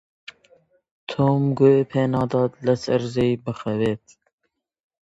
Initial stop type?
aspirated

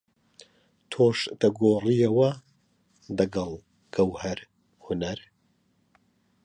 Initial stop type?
aspirated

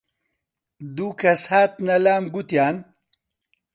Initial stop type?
plain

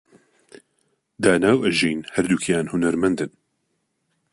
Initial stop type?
plain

